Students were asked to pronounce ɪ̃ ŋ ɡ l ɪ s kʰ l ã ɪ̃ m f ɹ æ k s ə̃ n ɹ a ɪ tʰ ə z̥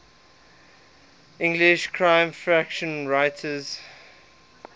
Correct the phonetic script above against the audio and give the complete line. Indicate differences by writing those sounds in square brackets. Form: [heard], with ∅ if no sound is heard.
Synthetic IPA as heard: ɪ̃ ŋ ɡ l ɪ [ʃ] kʰ [ɹ] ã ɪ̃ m f ɹ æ k [ʃ] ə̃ n ɹ a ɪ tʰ ə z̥

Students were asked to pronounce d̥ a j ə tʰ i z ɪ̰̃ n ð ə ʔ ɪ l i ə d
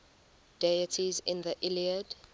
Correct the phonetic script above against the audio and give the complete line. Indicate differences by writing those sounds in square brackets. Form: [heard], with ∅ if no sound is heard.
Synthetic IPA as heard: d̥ [e] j ə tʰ i z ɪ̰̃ n ð ə ʔ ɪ l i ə d

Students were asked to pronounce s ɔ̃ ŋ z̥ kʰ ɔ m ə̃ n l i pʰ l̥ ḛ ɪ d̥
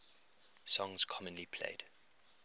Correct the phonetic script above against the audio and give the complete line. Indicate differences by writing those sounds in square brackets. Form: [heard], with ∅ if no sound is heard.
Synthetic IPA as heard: s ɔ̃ ŋ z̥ kʰ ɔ m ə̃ n l i pʰ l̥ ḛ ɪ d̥

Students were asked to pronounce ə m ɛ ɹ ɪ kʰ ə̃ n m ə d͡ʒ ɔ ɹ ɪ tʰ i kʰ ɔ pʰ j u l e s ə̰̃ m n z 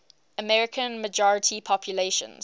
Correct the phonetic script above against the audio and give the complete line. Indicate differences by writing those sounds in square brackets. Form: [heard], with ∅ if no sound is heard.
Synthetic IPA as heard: ə m ɛ ɹ ɪ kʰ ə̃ n m ə d͡ʒ ɔ ɹ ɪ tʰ i [pʰ] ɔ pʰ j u l e [ʃ] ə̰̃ [∅] n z

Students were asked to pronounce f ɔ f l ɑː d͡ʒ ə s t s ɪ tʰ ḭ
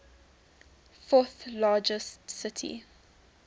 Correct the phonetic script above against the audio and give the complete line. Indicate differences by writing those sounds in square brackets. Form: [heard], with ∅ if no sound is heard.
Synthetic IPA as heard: f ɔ [θ] l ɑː d͡ʒ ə s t s ɪ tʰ ḭ

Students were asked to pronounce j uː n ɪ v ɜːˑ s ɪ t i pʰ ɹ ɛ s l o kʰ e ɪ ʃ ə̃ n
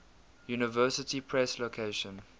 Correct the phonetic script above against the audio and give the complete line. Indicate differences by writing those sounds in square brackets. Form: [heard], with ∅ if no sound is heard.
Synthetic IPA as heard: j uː n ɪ v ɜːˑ s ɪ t i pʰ ɹ ɛ s l o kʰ e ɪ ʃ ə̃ n

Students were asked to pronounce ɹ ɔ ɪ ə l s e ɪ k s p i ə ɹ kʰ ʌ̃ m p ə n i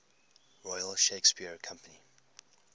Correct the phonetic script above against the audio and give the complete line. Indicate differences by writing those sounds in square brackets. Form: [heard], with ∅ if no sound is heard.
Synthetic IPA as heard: ɹ ɔ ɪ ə l [ʃ] e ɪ k s p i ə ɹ kʰ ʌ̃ m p ə n i

